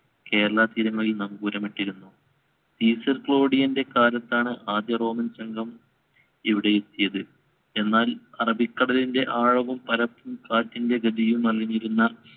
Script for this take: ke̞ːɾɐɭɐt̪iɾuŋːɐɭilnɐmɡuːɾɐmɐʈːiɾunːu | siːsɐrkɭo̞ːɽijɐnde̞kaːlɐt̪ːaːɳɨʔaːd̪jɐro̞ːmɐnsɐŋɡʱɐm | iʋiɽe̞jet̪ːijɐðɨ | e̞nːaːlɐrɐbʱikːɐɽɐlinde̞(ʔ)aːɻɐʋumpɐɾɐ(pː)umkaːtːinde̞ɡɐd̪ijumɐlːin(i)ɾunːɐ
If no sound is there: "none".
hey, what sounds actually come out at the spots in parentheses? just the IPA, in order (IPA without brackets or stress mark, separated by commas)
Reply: ʔ, pː, i